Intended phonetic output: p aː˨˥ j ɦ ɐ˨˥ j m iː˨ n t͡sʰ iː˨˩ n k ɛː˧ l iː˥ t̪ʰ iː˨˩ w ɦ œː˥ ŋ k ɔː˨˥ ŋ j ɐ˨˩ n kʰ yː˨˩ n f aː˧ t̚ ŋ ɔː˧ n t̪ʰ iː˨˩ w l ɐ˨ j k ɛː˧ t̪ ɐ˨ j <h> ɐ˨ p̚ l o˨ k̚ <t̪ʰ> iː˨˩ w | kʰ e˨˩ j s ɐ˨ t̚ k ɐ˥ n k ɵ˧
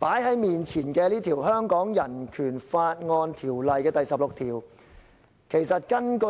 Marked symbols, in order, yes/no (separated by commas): no, yes